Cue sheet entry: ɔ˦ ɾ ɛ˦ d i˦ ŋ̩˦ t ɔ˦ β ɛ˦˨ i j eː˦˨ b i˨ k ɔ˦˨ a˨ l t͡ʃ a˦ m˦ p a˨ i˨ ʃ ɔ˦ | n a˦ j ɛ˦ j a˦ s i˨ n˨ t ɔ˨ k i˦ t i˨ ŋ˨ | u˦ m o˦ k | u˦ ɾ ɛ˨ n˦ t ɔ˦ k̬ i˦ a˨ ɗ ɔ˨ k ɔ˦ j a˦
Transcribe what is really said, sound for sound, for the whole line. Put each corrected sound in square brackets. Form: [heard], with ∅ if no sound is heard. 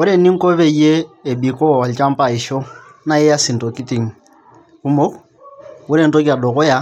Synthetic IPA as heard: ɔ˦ ɾ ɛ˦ [n] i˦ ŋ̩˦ [k] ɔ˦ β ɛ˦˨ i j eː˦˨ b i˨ k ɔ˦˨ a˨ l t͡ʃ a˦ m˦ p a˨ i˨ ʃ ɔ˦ | n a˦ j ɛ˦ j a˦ s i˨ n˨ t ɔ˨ k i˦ t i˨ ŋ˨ | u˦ m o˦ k | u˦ ɾ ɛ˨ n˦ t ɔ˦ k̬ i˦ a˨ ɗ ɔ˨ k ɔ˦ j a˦